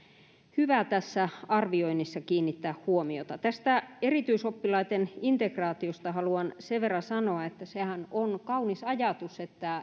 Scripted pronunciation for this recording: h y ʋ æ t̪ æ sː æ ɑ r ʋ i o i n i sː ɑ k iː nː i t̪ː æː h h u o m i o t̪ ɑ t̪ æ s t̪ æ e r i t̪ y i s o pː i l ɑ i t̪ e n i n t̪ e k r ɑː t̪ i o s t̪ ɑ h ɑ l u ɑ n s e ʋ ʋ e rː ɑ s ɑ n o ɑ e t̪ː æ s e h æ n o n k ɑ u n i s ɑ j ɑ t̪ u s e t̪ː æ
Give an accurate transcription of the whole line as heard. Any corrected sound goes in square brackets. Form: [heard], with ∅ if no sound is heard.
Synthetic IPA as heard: h y ʋ æ t̪ æ sː æ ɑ r ʋ i o i n i sː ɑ k iː nː i t̪ː æː h h u o m i o t̪ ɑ t̪ æ s t̪ æ e r i t̪ y i s o pː i l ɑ i t̪ e n i n t̪ e k r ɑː t̪ i o s t̪ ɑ h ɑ l u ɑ n s e ʋ ʋ e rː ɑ s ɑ n o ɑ e t̪ː æ s e h æ n o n k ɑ u n i s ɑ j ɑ t̪ u s e t̪ː æ